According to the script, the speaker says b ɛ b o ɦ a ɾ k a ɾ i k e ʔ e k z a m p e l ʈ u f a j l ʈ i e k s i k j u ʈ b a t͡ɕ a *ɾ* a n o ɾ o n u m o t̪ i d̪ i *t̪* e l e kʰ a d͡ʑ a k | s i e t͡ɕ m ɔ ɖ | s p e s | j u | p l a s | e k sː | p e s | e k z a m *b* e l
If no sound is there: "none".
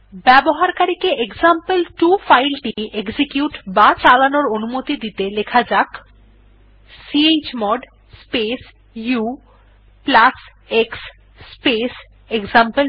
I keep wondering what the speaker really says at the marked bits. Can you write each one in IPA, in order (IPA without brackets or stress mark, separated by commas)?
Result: l, t̪, p